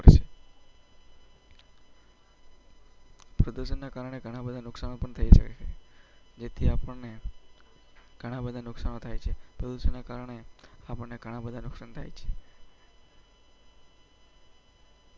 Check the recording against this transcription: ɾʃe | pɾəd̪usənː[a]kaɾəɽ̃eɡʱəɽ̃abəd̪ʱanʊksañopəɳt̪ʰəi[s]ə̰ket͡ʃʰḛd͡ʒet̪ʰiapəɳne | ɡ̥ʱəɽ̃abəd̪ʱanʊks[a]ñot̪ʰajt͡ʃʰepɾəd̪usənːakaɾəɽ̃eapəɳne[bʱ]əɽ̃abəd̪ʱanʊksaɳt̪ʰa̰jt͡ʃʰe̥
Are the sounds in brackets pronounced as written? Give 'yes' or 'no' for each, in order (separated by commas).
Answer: yes, no, yes, no